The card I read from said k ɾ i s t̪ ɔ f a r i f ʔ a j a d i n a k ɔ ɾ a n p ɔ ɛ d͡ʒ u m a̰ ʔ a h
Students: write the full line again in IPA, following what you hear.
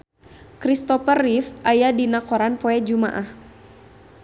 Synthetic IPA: k ɾ i s t̪ ɔ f ə r i f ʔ a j a d i n a k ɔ ɾ a n p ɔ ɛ d͡ʒ u m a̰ ʔ a h